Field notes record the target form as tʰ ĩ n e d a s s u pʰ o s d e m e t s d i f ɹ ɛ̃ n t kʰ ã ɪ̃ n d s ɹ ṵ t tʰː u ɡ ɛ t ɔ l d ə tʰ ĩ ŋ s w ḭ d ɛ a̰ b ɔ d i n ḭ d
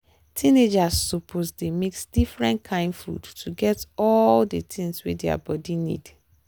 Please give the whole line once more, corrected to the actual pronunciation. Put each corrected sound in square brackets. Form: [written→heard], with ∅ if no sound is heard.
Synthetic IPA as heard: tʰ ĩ n e [d→d͡ʒ] a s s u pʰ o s d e m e [t→k] s d i f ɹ ɛ̃ n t kʰ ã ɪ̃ n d [s→f] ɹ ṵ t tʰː u ɡ ɛ t ɔ l d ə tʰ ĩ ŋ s w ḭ d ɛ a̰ b ɔ d i n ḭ d